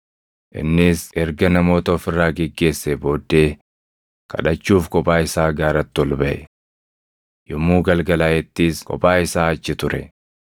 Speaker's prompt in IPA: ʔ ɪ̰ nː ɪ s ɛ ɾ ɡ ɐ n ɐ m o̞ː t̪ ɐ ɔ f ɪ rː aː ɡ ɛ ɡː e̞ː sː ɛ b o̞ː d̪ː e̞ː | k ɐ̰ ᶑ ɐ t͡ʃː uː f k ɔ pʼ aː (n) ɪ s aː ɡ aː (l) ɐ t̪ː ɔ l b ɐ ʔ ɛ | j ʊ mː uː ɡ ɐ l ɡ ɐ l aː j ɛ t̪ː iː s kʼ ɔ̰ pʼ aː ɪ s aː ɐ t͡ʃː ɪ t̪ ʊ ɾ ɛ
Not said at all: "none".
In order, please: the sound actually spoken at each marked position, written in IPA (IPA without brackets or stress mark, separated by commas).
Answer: none, ɾ